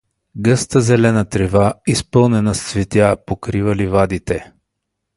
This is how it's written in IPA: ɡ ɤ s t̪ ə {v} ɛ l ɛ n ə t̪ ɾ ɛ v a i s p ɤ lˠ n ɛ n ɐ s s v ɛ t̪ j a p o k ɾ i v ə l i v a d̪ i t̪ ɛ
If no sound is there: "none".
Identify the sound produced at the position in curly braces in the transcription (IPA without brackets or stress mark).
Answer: z